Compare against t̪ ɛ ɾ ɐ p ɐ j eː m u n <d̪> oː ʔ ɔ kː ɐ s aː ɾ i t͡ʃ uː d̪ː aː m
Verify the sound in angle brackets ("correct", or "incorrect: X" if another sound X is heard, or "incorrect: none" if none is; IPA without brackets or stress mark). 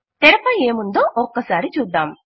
correct